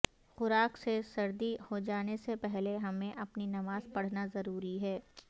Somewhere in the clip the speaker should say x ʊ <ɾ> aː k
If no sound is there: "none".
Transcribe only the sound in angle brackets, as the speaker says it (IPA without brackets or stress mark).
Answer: ɾ